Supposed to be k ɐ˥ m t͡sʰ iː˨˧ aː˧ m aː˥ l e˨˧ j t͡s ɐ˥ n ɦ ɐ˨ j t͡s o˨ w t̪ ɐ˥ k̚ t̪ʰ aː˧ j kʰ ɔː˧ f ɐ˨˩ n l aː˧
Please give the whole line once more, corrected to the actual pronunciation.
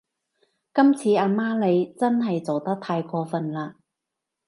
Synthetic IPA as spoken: k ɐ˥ m t͡sʰ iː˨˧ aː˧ m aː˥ l e˨˧ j t͡s ɐ˥ n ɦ ɐ˨ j t͡s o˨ w t̪ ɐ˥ k̚ t̪ʰ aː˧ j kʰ ɔː˧ f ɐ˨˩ n l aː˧